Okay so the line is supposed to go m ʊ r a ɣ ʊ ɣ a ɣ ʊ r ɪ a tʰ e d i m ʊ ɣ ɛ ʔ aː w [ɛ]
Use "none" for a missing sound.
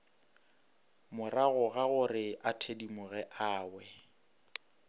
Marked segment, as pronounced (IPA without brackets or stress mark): ɛ